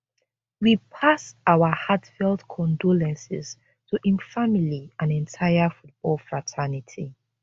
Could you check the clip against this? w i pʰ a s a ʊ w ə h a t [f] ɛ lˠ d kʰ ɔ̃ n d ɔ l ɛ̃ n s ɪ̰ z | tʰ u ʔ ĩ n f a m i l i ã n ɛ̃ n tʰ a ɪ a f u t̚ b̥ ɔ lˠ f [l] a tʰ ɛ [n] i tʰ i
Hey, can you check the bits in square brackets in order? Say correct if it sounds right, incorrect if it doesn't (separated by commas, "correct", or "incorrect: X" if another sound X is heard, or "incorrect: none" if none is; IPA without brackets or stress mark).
correct, incorrect: ɹ, correct